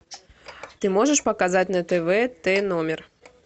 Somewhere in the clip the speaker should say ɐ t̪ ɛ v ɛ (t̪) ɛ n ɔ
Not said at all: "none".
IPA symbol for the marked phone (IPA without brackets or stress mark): t̪